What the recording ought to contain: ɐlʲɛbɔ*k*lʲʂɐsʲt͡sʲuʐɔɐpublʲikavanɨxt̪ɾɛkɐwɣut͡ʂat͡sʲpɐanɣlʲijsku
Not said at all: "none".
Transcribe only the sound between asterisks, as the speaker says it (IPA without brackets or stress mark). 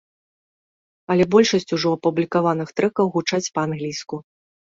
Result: none